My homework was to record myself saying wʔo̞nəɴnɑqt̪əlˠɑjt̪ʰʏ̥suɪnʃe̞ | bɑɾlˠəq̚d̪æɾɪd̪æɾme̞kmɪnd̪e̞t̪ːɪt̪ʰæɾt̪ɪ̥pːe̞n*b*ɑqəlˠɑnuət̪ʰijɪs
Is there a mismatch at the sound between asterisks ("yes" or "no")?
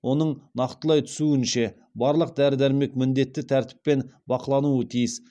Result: no